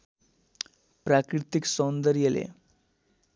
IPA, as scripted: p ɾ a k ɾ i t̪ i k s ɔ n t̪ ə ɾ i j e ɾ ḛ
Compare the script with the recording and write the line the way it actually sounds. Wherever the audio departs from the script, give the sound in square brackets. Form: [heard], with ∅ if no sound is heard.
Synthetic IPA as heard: p ɾ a k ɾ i t̪ i k s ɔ n [d̪] ə ɾ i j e [l] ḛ